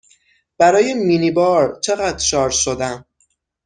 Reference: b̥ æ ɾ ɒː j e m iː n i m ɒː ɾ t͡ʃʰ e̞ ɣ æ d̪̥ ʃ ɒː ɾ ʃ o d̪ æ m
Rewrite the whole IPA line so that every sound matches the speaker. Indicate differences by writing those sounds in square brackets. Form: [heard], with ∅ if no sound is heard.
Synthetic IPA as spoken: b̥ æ ɾ ɒː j e m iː n i [b] ɒː ɾ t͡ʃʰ e̞ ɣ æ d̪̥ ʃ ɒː ɾ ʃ o d̪ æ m